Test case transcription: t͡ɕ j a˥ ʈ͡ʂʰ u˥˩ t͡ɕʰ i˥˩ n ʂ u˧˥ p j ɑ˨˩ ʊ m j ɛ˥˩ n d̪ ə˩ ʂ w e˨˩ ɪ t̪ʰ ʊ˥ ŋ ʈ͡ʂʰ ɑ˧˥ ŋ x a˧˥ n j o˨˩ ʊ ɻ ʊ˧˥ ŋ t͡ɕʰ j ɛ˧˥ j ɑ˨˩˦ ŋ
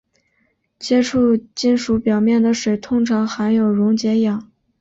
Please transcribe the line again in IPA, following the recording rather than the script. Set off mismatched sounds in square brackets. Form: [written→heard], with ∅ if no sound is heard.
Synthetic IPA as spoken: t͡ɕ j [a˥→ɛ˥] ʈ͡ʂʰ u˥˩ [t͡ɕʰ→t͡ɕ] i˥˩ n ʂ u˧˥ p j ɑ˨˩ ʊ m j ɛ˥˩ n d̪ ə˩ ʂ w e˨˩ ɪ t̪ʰ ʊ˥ ŋ ʈ͡ʂʰ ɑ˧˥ ŋ x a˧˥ n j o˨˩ ʊ ɻ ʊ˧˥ ŋ [t͡ɕʰ→t͡ɕ] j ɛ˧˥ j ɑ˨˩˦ ŋ